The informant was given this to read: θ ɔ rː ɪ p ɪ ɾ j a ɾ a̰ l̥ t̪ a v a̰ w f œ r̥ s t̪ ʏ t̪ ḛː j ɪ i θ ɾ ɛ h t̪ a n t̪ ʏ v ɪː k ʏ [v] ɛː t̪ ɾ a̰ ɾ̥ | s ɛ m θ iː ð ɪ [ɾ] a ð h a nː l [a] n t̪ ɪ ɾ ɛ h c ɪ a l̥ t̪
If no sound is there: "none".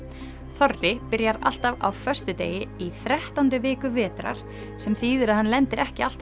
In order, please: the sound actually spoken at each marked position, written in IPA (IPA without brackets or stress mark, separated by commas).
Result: v, ɾ, ɛ